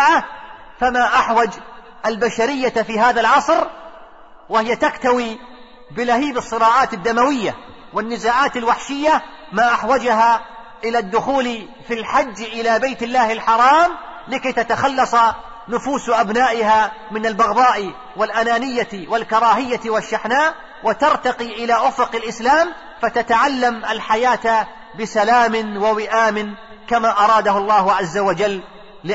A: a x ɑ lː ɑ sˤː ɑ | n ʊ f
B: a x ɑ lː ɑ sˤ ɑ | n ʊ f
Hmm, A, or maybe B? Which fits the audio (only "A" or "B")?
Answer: B